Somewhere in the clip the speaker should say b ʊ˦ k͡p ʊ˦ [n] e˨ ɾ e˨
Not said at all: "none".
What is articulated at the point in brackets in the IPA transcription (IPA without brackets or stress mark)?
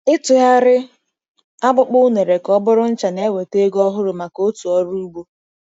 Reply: n